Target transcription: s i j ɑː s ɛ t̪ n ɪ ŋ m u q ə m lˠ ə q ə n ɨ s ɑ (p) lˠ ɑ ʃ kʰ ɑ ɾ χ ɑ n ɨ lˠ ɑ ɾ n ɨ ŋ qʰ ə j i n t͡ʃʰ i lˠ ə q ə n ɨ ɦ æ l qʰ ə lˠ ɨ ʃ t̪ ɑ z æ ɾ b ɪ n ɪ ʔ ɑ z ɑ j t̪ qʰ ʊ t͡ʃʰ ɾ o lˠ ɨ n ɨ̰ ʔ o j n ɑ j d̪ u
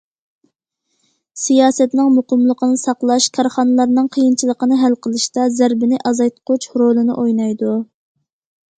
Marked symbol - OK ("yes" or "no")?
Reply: no